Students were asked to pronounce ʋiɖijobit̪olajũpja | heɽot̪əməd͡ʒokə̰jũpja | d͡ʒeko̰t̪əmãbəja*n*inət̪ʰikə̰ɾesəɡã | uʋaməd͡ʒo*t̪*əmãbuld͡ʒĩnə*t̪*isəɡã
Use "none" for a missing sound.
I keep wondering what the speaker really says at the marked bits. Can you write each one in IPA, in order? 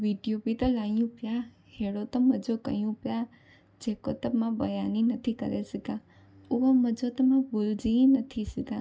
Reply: n, t̪, t̪ʰ

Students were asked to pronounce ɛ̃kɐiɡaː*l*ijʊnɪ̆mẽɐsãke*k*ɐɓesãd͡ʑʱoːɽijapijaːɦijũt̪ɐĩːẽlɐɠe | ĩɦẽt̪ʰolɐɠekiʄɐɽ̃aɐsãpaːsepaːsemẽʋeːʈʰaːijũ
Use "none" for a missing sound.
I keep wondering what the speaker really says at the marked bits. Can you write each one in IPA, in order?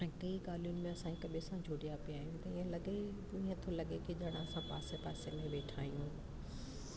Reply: l, k

